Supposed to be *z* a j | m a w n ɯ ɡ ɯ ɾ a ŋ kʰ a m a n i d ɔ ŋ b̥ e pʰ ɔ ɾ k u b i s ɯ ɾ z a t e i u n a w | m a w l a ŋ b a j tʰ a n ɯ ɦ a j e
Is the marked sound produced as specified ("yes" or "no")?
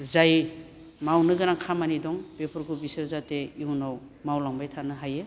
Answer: yes